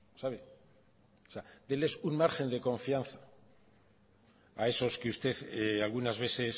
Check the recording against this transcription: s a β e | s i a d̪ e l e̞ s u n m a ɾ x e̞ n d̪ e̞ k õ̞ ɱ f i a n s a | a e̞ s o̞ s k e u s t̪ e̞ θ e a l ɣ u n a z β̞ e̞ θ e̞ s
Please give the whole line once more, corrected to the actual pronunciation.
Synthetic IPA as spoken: s a β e | s e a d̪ e l e̞ s u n m a ɾ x e̞ n d̪ e̞ k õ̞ ɱ f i a n θ a | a e̞ s o̞ s k e u s t̪ e̞ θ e a l ɣ u n a z β̞ e̞ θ e̞ s